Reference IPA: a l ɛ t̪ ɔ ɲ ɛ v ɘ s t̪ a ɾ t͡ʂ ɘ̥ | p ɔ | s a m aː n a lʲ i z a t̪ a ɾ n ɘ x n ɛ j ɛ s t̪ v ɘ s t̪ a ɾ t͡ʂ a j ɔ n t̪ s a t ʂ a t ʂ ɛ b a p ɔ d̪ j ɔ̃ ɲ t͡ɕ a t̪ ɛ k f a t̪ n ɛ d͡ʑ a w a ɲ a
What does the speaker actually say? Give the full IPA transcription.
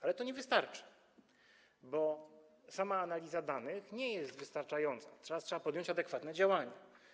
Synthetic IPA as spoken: a l ɛ t̪ ɔ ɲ ɛ v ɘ s t̪ a ɾ t͡ʂ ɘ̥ | b ɔ | s a m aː n a lʲ i z a d̪ a n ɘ x ɲ ɛ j ɛ s t̪ v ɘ s t̪ a ɾ t͡ʂ a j ɔ n t̪ s a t ʂ a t ʂ ɛ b a p ɔ d̪ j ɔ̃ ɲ t͡ɕ a d̪ ɛ k f a t̪ n ɛ d͡ʑ a w a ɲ a